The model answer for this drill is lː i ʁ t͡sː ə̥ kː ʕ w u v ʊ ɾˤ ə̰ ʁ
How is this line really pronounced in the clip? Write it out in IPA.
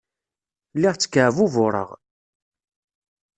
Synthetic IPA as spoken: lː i ʁ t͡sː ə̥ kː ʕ v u v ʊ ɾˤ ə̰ ʁ

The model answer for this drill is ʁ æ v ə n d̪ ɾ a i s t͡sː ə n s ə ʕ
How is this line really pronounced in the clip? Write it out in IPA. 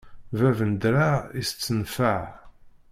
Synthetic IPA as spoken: v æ v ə n d̪ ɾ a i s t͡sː ə n f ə ʕ

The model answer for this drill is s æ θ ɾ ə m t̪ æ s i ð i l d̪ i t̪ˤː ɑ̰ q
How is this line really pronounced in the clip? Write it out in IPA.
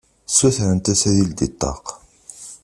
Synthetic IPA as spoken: s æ θ ɾ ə n t̪ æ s æ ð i l d̪ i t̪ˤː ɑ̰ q

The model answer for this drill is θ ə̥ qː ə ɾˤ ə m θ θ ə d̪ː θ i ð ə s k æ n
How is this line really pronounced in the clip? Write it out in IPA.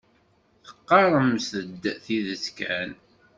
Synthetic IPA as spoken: θ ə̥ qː ɑ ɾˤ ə m s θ ə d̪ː θ i ð ə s k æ n

